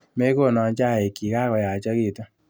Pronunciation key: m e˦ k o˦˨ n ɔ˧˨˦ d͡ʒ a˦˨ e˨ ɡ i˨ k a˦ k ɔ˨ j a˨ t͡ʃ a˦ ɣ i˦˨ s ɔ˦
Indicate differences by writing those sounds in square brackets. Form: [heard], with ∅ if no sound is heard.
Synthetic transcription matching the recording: m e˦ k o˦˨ n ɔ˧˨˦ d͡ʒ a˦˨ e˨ [k] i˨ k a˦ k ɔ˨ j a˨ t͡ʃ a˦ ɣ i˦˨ [t] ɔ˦

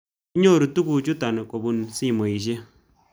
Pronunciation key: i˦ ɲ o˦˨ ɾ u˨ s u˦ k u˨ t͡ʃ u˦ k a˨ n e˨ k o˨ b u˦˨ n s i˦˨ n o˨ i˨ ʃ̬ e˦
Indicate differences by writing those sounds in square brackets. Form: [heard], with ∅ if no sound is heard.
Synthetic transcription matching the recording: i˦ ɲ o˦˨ ɾ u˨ [t] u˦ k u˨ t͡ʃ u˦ [t] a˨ n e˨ k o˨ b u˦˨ n s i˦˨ [m] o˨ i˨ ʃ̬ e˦

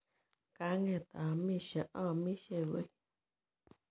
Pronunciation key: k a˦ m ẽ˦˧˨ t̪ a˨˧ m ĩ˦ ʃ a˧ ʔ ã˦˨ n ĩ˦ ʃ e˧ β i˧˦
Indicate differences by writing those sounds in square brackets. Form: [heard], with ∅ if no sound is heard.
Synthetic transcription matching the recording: k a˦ [ŋ] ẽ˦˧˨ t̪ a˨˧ m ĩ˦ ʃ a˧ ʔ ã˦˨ [m] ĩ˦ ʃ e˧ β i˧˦

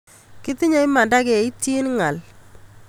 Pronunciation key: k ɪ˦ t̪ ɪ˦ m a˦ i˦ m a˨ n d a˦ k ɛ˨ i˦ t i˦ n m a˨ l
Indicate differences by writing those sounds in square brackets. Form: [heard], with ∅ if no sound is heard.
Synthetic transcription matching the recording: k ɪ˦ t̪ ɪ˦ [ɲ] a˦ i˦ m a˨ n d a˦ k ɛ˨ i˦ t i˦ n [ŋ] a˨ l

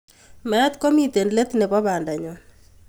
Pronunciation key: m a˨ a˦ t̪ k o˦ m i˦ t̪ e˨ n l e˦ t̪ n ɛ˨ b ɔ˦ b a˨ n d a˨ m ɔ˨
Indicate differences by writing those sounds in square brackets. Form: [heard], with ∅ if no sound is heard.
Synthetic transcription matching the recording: m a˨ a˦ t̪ k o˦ m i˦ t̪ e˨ n l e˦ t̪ n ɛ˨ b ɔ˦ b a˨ n d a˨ [ɲ] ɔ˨

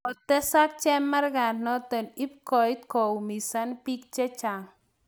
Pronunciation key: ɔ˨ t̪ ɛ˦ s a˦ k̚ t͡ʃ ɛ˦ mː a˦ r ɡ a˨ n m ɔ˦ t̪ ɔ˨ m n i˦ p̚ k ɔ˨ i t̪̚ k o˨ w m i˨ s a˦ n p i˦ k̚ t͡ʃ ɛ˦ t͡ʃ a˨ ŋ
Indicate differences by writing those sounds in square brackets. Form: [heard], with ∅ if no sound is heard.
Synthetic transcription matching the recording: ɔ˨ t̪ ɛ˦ s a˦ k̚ t͡ʃ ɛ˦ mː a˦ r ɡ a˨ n [n] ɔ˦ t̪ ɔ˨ [∅] n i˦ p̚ k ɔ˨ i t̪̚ k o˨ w m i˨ s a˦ n p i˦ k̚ t͡ʃ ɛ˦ t͡ʃ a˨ ŋ

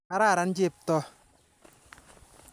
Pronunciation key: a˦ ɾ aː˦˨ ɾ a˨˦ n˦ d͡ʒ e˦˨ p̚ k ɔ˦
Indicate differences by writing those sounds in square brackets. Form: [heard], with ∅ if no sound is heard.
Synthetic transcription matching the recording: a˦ ɾ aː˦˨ ɾ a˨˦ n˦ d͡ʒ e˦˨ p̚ [t] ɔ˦

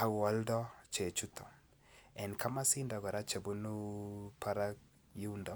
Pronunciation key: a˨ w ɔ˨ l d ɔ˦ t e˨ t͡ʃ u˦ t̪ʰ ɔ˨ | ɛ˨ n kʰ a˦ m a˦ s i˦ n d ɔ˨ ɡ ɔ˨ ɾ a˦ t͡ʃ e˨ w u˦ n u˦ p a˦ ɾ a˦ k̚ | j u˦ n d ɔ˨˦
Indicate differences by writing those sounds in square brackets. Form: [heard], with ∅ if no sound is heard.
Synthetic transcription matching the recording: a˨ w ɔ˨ l d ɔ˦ [t͡ʃ] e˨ t͡ʃ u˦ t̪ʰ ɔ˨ | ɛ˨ n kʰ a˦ m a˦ s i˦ n d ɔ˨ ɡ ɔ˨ ɾ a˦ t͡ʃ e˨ [b] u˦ n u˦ p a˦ ɾ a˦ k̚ | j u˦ n d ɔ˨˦

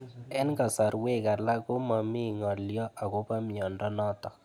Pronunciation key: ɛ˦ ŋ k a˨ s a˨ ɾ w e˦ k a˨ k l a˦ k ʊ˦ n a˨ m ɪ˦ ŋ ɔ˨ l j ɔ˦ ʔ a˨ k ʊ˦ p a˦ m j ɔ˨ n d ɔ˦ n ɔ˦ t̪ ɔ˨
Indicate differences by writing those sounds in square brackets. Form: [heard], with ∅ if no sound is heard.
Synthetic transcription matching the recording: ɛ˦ [n] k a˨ s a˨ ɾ w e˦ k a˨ [∅] l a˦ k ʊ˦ [m] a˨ m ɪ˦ ŋ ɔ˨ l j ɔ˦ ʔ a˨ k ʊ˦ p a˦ m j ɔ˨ n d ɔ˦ n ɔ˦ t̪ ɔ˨

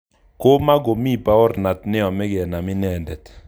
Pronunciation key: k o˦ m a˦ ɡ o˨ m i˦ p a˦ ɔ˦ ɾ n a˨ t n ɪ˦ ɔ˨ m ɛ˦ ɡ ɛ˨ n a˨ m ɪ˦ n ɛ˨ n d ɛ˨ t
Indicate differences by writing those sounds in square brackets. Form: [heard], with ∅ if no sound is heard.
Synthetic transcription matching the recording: k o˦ m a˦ ɡ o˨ m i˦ p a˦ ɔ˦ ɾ n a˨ t n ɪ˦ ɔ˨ m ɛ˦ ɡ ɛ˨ n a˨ m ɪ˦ n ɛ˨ n d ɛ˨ t

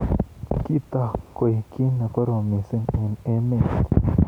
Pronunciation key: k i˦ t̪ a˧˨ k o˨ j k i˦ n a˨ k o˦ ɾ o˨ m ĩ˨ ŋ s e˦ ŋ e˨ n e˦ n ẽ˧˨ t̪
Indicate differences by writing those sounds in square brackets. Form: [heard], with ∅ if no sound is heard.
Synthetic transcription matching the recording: k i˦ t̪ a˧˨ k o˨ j k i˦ n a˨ k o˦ ɾ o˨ m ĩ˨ [∅] s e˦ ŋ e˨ n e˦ [m] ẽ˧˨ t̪

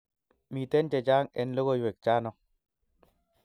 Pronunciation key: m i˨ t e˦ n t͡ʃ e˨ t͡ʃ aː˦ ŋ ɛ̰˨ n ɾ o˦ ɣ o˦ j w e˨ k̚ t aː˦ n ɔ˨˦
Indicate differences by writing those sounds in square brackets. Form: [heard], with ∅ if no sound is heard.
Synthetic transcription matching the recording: m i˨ t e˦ n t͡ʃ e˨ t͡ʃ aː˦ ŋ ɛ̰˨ n [l] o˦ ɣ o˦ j w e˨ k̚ [t͡ʃ] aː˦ n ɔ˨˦

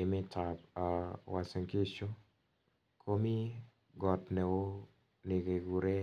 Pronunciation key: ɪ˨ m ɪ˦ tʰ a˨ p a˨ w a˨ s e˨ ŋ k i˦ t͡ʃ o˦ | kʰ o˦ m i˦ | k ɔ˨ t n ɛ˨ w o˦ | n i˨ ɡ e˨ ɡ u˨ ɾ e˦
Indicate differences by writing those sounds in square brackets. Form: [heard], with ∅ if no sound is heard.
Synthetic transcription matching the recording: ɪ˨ m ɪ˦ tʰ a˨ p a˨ w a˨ s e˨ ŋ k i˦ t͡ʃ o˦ | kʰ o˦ m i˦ | [ɡ] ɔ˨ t n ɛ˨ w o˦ | n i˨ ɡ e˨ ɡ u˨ ɾ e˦

